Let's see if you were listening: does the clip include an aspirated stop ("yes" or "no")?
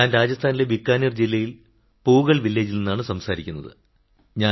yes